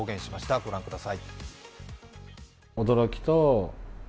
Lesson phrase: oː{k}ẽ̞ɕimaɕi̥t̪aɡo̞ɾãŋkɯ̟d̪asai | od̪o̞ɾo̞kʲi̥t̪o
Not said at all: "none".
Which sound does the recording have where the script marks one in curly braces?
ɡ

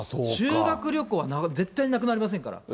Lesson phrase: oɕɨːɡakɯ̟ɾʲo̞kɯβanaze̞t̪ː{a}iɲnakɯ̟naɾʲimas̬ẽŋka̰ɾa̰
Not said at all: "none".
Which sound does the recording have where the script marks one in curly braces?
a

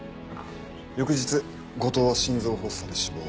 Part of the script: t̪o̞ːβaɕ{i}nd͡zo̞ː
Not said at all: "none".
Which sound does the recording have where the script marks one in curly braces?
ĩ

